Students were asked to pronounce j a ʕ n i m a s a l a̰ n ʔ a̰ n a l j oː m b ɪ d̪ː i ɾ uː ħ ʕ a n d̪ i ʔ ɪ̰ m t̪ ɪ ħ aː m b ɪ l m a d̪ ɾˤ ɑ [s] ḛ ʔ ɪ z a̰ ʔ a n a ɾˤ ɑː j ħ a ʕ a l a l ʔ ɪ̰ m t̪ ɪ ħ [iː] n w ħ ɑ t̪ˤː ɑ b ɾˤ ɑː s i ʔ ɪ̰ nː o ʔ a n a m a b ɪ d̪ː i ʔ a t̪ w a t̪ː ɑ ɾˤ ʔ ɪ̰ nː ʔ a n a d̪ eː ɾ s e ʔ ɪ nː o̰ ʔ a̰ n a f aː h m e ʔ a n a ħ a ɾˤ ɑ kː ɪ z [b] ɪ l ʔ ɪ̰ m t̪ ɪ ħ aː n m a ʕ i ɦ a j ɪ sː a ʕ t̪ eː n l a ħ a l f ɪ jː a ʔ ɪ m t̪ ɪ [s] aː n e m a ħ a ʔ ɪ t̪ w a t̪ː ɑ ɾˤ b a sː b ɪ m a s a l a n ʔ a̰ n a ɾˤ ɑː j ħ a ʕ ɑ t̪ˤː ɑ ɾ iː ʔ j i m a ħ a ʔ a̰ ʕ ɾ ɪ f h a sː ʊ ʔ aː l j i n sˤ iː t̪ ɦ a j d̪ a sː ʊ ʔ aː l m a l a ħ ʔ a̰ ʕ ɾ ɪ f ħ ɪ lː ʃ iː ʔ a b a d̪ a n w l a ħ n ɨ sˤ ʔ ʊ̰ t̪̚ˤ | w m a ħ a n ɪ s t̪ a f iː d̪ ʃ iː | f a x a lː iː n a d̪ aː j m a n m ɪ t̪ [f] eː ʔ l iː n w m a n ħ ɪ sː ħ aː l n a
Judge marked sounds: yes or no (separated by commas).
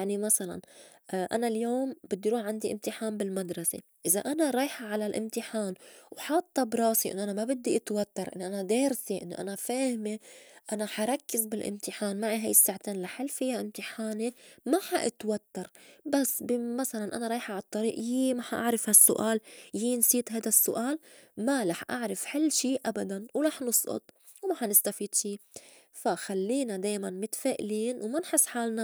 yes, no, yes, no, yes